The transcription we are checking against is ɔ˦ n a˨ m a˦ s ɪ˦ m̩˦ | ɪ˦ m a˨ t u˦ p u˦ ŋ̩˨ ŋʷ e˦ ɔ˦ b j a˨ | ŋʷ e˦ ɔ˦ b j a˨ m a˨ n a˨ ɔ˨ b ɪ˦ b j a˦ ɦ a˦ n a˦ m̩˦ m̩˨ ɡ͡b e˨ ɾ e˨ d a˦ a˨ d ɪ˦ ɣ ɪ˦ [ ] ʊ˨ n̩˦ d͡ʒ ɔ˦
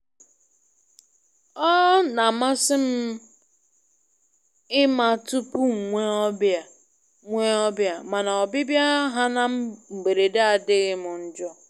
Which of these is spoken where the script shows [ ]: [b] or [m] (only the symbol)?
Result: m